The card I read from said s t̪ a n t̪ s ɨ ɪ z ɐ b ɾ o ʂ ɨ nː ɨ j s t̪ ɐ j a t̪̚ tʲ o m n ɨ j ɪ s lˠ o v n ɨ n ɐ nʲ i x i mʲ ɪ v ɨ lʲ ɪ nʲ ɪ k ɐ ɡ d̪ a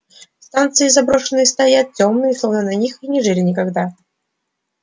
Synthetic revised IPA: s t̪ a n t̪ s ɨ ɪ z ɐ b ɾ o ʂ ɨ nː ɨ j s t̪ ɐ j a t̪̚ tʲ o m n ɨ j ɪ s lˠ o v n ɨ n ɐ nʲ i x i nʲ ɪ ʐ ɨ lʲ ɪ nʲ ɪ k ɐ ɡ d̪ a